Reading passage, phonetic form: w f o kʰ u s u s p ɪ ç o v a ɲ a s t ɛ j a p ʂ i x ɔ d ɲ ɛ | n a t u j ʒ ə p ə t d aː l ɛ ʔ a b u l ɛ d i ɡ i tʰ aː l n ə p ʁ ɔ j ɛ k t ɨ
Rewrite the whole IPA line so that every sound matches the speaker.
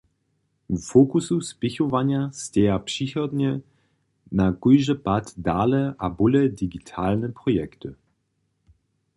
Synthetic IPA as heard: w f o k u s u s p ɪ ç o v a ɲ a s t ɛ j a p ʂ i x ɔ d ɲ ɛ | n a k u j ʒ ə p a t d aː l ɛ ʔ a b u l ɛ d i ɡ i tʰ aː l n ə p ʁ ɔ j ɛ k t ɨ